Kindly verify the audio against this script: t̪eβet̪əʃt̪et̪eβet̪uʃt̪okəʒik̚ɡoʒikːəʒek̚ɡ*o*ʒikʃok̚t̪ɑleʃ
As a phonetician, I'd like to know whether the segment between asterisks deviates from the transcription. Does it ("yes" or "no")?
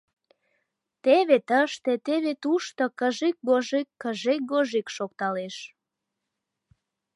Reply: no